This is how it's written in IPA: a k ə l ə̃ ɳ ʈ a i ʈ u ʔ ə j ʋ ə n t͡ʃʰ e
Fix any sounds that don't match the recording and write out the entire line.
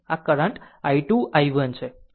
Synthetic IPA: a k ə ɾ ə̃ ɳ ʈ a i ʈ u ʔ a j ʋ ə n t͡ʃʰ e